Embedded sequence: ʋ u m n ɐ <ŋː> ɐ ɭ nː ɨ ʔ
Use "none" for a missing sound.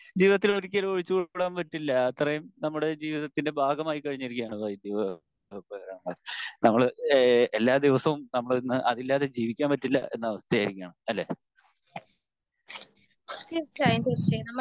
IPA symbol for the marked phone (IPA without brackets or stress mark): mː